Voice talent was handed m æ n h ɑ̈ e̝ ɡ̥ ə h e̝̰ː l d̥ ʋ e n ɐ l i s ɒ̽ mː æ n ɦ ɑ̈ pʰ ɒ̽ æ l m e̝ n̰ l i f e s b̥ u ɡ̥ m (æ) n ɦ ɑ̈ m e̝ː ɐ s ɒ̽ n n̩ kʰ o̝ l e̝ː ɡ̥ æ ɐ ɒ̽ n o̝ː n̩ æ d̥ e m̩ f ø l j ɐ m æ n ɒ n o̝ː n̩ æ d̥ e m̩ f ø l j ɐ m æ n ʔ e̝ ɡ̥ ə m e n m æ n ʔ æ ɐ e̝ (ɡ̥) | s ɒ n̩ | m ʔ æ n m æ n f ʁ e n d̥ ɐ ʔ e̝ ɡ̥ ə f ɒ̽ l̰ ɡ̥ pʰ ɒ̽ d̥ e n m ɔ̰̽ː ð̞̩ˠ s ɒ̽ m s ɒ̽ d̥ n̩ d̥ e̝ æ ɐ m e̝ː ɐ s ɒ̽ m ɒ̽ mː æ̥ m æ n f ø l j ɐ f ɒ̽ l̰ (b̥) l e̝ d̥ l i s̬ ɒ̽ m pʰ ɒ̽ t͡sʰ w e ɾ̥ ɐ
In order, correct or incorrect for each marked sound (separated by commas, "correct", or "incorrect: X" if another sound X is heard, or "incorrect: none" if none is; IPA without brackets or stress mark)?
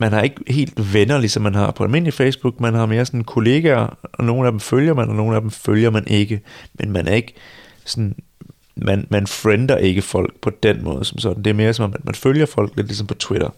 correct, correct, incorrect: ɡ̥